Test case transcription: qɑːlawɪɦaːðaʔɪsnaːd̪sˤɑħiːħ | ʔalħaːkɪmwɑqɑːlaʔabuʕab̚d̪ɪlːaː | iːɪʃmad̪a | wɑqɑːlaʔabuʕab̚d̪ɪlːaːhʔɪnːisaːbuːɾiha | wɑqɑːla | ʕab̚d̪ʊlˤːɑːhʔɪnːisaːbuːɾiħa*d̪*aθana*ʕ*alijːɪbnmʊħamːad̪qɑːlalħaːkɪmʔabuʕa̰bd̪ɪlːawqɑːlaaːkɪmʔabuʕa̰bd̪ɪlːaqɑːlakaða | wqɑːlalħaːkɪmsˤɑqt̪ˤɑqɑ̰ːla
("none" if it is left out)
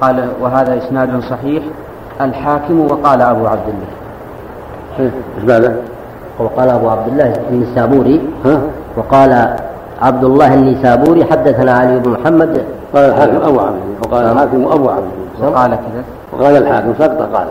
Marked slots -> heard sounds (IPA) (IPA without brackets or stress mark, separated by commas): d̪ː, ʕ